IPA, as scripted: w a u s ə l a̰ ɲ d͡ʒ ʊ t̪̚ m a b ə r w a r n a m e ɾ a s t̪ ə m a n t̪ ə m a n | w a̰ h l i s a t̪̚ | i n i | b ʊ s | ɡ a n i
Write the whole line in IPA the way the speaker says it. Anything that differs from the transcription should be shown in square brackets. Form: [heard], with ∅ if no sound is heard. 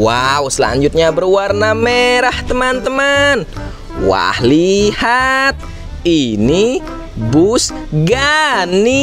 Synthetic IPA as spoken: w a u s ə l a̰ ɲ d͡ʒ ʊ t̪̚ [ɲ] a b ə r w a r n a m e ɾ a [h] t̪ ə m a n t̪ ə m a n | w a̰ h l i [h] a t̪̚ | i n i | b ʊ s | ɡ a n i